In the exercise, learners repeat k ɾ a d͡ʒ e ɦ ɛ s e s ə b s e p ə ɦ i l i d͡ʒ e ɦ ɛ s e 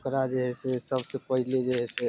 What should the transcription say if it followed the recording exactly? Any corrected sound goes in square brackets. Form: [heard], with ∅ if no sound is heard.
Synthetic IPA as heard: k ɾ a d͡ʒ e ɦ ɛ s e s ə b s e p ə ɦ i l [e] d͡ʒ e ɦ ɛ s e